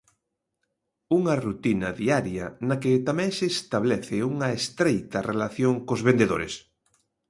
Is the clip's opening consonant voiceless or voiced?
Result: voiced